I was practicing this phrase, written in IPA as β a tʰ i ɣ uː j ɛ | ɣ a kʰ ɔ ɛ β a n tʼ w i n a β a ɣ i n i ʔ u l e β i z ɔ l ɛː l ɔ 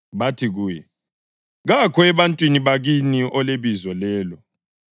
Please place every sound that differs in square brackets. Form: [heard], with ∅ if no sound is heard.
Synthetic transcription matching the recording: β a tʰ i ɣ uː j ɛ | ɣ a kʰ ɔ ɛ β a n tʼ w i n [i] β a ɣ i n i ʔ [ɔ] l e β i z ɔ l ɛː l ɔ

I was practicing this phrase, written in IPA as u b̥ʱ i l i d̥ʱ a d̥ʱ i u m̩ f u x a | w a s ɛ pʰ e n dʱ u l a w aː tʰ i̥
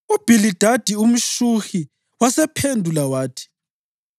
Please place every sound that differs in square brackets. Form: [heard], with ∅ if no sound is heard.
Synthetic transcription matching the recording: u b̥ʱ i l i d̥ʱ a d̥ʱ i u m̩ [ʃ] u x [i] | w a s ɛ pʰ e n dʱ u l a w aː tʰ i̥

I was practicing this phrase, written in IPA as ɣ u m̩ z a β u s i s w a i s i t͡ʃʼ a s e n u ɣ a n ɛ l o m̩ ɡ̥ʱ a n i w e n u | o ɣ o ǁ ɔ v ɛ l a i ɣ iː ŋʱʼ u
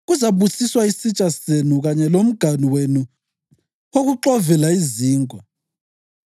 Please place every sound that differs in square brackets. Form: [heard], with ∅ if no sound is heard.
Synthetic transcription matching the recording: ɣ u [∅] z a β u s i s w a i s i t͡ʃʼ a s e n u ɣ a [ɲ] ɛ l o m̩ ɡ̥ʱ a n i w e n u | o ɣ [u] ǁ ɔ v ɛ l a i [z] iː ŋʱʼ [ɔ]

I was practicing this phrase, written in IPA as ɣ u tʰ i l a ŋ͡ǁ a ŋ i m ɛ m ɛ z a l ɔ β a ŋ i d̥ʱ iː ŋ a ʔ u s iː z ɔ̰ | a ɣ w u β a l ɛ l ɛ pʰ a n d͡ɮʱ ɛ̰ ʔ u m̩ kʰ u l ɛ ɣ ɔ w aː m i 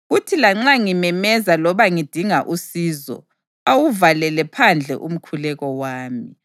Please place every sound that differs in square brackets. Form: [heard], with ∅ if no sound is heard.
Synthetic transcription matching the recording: ɣ u tʰ i l a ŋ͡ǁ a ŋ i m ɛ m ɛ z a l ɔ β a ŋ i d̥ʱ [i] ŋ a ʔ u s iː z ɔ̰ | a [∅] w u [v] a l ɛ l ɛ pʰ a n d͡ɮʱ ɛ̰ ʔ u m̩ kʰ u l ɛ ɣ ɔ w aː m i

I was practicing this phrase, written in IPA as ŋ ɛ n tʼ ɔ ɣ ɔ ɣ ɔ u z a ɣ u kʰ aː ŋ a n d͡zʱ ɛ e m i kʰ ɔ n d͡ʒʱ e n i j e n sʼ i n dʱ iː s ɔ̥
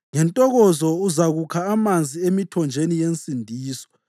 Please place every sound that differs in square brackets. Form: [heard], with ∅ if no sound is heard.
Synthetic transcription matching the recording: ŋ ɛ n tʼ ɔ ɣ ɔ [z] ɔ u z a ɣ u kʰ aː [m] a n d͡zʱ [i] e m i [tʰ] ɔ n d͡ʒʱ e n i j e n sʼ i n dʱ iː s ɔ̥

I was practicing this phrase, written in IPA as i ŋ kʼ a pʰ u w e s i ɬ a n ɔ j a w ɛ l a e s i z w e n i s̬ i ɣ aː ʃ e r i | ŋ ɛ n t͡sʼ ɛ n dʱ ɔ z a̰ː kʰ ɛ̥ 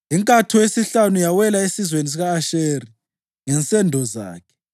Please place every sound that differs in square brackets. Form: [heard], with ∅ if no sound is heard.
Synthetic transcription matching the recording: i ŋ kʼ a [tʰ] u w e s i ɬ a n [u] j a w ɛ l a e s i z w e n i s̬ i ɣ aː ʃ e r i | ŋ ɛ n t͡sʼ ɛ n dʱ ɔ z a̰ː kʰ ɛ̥

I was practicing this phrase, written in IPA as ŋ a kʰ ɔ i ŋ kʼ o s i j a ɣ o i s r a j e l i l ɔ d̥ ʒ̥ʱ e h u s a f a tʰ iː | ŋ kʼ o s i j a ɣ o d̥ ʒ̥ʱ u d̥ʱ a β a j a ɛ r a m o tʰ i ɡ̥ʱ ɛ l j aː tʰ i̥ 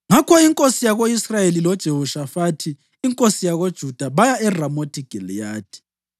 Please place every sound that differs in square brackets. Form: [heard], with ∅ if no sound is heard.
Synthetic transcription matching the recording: ŋ a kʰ ɔ i ŋ kʼ o s i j a ɣ o i s r a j e l i l ɔ d̥ ʒ̥ʱ e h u [ʃ] a f a tʰ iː | ŋ kʼ o s i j a ɣ o d̥ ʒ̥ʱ u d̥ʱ a β a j a ɛ r a m o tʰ i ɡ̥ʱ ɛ l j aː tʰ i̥

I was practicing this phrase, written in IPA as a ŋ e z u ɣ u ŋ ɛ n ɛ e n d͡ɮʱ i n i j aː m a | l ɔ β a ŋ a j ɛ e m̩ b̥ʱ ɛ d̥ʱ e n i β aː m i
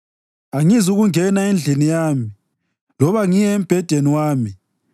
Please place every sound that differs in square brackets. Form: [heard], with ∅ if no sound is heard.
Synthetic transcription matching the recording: a ŋ [i] z u ɣ u ŋ ɛ n [a] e n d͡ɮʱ i n i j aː m [i] | l ɔ β a ŋ [i] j ɛ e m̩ b̥ʱ ɛ d̥ʱ e n i [w] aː m i

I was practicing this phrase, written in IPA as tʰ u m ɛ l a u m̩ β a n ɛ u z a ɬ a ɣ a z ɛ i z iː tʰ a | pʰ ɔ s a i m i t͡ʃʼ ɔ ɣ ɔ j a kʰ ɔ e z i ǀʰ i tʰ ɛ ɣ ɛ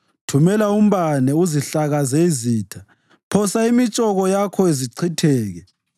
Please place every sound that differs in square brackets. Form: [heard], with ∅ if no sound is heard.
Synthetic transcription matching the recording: tʰ u m ɛ l a u m̩ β a n ɛ u z [i] ɬ a ɣ a z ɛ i z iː tʰ a | pʰ ɔ s a i m i t͡ʃʼ ɔ ɣ ɔ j a kʰ ɔ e z i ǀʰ i tʰ [ɛː] ɣ ɛ

